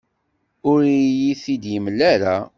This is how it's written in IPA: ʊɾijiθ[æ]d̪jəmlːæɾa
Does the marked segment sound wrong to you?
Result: yes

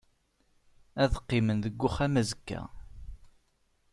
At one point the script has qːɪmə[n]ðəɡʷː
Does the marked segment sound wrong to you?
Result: no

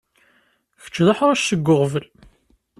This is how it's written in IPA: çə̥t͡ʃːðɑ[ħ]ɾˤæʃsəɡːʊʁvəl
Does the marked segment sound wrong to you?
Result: no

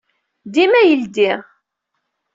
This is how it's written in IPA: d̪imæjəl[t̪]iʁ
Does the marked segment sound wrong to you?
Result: yes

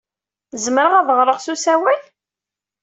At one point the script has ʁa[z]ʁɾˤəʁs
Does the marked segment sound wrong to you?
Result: yes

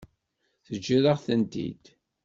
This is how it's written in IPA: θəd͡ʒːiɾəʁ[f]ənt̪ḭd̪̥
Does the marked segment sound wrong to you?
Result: yes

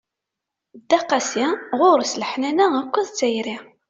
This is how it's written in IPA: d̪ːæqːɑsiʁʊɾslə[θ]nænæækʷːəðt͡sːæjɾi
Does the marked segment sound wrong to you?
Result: yes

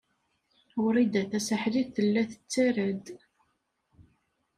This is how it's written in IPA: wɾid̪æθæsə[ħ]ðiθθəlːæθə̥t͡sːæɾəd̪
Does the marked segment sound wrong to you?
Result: no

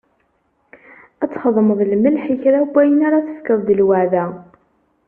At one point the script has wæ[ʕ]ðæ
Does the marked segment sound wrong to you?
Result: no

